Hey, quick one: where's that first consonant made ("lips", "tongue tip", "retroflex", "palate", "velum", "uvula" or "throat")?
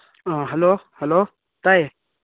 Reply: throat